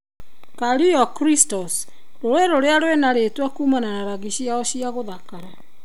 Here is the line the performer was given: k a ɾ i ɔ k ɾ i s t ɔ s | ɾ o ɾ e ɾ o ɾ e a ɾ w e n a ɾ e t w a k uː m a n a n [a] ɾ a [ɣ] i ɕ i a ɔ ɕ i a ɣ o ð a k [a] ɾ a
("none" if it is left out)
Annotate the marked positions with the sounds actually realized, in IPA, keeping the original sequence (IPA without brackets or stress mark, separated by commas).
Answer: a, ɣ, a